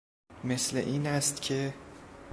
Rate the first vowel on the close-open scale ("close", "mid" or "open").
mid